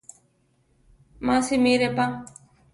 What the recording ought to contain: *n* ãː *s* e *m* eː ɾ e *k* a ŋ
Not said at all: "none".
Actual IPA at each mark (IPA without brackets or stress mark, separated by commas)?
m, s, m, p